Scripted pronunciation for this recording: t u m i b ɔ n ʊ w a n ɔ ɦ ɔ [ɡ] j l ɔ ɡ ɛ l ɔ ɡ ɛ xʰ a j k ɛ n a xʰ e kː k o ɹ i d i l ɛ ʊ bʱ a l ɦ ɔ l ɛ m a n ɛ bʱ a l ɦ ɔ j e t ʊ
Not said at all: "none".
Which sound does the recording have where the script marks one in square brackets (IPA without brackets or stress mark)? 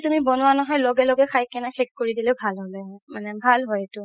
none